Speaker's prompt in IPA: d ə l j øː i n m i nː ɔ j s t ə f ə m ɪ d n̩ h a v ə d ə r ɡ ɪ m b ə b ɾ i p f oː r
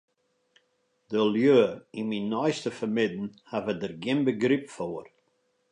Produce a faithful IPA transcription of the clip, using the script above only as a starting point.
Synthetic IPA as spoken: d ə l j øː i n m i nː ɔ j s t ə f ə m ɪ d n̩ h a v ə d ə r ɡ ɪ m b ə ɡ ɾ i p f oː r